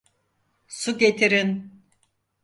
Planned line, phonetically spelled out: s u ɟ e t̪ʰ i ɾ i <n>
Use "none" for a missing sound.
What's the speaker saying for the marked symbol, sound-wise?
n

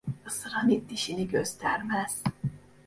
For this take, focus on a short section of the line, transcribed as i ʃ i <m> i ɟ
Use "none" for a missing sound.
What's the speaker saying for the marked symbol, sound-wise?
n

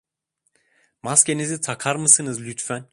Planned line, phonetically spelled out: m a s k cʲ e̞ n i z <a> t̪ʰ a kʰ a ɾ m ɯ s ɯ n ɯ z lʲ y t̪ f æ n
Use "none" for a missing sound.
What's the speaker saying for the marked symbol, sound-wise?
i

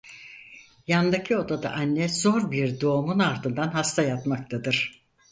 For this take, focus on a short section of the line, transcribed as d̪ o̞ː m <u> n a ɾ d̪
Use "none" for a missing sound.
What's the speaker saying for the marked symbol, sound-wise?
u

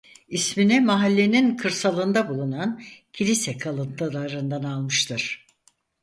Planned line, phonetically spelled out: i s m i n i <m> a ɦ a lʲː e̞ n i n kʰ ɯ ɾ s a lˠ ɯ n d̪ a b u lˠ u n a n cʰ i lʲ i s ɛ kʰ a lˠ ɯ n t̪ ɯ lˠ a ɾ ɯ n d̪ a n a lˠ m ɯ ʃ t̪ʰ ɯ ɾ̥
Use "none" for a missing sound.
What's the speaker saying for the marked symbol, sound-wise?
m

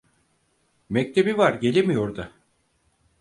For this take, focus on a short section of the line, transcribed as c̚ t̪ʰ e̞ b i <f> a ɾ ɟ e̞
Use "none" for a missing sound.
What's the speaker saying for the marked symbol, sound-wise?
v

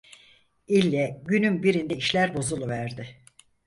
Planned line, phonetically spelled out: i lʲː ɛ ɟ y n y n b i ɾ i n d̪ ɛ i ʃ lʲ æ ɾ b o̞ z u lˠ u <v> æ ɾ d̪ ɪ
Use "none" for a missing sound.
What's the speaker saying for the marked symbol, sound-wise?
v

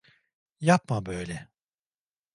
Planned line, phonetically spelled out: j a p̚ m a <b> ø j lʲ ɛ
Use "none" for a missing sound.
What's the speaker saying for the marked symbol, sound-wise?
b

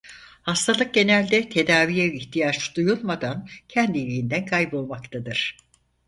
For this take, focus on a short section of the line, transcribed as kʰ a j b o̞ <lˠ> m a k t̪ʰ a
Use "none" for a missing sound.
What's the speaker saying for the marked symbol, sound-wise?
lˠ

